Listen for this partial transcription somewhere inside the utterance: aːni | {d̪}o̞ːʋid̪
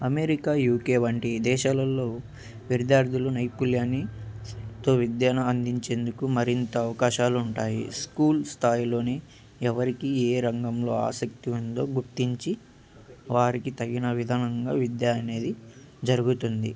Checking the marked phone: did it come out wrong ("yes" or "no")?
yes